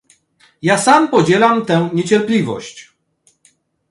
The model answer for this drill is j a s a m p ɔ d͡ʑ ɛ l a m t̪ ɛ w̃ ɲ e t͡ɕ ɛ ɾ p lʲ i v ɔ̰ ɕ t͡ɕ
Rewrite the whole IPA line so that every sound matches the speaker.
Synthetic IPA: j a s a m p ɔ d͡ʑ ɛ l a m t̪ ɛ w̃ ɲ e t͡ɕ ɛ ɾ p lʲ i v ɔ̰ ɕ t͡ɕ

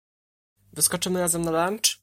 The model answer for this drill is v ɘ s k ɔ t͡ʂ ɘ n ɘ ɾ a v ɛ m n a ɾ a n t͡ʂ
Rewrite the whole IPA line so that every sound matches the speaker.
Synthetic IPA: v ɘ s k ɔ t͡ʂ ɘ m ɘ ɾ a z ɛ m n a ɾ a n t͡ʂ

